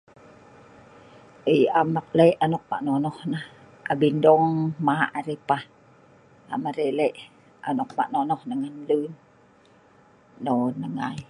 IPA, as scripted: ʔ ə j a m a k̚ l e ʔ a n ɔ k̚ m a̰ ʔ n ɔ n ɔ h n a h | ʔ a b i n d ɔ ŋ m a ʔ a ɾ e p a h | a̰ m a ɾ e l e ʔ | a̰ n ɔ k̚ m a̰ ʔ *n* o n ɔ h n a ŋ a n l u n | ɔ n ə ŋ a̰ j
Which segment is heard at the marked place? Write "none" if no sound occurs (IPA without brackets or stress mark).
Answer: n